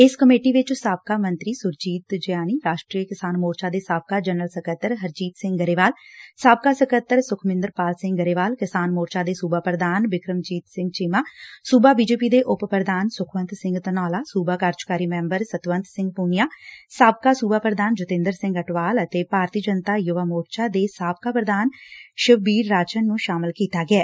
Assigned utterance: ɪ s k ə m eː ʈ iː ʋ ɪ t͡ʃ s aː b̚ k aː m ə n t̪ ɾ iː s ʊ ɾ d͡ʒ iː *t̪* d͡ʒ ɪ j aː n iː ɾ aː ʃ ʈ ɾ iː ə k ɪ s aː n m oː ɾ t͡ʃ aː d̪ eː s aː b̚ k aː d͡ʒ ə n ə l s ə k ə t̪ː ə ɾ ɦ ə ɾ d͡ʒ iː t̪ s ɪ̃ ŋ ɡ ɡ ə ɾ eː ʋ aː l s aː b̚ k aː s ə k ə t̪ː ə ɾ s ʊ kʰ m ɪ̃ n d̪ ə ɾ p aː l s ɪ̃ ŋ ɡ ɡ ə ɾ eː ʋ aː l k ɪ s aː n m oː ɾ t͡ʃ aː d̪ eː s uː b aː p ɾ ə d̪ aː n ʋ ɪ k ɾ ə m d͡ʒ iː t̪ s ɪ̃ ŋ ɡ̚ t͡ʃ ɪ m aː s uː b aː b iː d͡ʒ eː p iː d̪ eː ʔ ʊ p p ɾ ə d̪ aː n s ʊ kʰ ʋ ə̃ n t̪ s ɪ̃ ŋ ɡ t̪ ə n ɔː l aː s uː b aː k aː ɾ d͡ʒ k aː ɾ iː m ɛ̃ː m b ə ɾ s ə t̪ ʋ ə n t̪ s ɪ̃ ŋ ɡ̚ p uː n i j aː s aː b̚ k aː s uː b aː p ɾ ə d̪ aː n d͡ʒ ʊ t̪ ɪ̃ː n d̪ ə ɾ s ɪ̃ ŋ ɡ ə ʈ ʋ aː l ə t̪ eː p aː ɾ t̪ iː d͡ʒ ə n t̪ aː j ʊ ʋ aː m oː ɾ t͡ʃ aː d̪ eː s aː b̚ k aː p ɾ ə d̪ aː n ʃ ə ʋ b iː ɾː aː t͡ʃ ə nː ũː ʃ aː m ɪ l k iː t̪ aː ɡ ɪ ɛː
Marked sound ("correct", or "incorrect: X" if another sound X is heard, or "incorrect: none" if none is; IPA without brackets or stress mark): correct